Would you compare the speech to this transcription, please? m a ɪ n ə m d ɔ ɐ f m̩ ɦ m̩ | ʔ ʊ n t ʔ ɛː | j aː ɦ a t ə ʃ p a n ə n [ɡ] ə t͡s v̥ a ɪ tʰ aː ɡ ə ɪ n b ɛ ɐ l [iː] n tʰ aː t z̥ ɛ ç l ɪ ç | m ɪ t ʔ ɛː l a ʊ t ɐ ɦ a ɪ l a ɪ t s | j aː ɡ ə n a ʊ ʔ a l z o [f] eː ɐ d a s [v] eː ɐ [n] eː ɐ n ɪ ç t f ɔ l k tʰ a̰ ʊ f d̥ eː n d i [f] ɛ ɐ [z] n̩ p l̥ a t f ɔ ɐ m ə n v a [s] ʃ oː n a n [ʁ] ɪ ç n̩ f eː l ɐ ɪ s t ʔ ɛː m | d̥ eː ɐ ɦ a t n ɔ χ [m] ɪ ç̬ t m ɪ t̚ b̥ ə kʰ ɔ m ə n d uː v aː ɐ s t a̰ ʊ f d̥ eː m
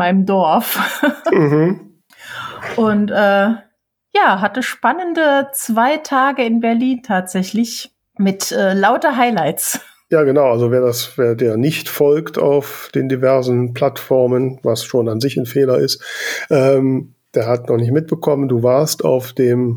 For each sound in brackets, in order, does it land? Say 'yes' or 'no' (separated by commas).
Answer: no, yes, no, yes, no, no, yes, yes, no, no